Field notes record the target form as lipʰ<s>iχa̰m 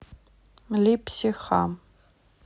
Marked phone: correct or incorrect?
correct